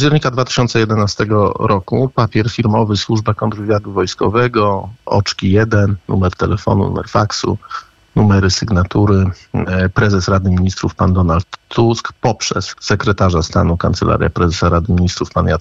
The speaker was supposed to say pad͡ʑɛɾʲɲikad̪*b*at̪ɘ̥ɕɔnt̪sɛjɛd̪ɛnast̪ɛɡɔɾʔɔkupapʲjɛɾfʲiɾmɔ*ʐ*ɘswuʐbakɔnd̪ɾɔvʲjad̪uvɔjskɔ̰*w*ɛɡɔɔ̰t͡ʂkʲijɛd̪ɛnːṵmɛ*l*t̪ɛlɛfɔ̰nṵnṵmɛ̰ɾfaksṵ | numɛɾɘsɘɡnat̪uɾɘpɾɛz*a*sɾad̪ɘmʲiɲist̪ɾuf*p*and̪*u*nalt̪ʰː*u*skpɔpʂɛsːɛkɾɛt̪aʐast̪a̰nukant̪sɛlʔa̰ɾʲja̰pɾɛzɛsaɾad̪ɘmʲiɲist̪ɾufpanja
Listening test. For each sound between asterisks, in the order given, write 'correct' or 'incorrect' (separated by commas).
incorrect, incorrect, incorrect, incorrect, incorrect, correct, incorrect, correct